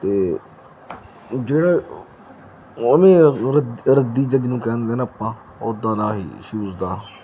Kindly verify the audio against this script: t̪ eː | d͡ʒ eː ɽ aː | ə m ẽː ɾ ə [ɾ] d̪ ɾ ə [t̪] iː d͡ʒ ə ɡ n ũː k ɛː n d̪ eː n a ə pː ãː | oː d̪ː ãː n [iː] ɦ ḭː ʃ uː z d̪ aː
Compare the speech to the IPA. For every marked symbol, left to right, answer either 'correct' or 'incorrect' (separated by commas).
incorrect, incorrect, incorrect